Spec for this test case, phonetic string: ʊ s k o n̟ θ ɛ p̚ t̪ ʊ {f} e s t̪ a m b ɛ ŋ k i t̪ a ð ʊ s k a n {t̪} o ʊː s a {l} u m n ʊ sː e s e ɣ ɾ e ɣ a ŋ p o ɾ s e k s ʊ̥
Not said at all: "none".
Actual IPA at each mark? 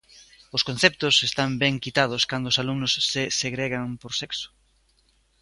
s, d̪, l

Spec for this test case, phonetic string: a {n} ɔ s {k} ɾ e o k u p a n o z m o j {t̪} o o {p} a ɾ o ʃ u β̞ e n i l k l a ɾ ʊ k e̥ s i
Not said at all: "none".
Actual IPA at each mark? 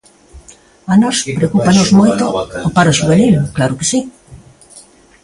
n, p, t̪, p

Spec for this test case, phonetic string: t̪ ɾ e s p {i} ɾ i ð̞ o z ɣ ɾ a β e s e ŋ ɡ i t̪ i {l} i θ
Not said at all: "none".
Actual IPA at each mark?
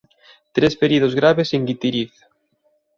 e, ɾ

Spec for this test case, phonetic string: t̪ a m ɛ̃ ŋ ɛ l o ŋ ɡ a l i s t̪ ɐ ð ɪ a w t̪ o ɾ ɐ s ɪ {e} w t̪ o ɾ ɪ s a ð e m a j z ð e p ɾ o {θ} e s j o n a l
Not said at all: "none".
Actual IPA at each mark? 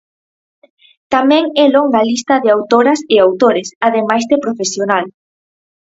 a, f

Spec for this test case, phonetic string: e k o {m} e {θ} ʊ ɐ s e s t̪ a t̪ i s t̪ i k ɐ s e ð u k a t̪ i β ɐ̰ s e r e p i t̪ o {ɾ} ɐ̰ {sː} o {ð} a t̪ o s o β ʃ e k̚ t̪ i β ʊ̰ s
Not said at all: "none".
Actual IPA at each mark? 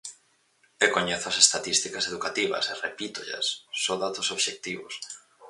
ɲ, θ, ʎ, sː, ð

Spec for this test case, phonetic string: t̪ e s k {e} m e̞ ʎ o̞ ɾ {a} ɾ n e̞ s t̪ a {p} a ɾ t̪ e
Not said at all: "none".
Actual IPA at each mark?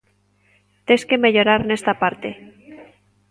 e, a, p

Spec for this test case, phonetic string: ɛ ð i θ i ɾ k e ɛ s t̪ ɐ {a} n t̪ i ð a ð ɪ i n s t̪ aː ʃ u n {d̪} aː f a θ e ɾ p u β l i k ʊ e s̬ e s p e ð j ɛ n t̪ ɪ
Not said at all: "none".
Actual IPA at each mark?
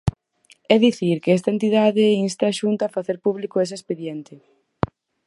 e, t̪

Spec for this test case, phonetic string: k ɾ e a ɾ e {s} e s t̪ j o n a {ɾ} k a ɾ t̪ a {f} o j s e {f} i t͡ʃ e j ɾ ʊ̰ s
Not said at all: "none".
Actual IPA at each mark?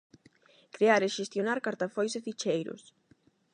ʃ, ɾ, f, f

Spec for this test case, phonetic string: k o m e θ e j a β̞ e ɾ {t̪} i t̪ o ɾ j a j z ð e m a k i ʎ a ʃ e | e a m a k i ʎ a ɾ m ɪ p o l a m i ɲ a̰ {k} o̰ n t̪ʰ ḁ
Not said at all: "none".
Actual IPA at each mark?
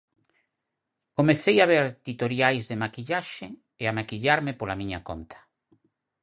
t̪, k

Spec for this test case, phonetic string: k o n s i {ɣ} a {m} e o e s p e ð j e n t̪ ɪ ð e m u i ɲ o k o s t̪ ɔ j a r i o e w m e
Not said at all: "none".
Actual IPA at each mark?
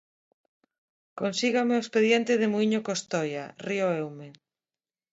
ɣ, m

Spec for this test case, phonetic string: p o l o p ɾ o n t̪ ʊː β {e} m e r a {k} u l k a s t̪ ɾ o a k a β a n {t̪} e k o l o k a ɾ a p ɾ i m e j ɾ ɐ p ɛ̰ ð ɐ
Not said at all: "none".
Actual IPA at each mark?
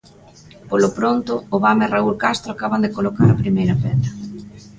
a, none, d̪

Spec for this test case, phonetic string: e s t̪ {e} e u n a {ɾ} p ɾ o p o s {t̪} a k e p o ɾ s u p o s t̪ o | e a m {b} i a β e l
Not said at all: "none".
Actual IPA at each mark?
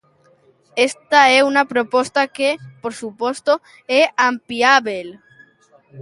a, none, t̪, p

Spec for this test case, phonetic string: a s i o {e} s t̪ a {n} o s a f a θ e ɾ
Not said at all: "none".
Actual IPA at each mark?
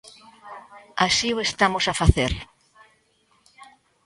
e, m

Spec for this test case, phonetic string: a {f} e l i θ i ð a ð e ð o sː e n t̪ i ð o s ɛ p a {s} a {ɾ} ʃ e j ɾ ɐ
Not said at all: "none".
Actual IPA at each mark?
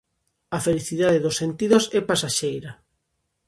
f, s, none

